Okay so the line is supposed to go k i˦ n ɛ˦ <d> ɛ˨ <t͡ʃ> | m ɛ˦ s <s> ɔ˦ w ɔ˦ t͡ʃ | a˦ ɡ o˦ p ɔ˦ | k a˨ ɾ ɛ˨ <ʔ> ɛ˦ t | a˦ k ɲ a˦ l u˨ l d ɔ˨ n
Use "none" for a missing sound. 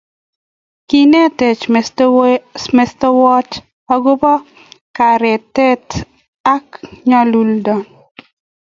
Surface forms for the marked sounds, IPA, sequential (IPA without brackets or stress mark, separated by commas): t, t͡ʃ, t, t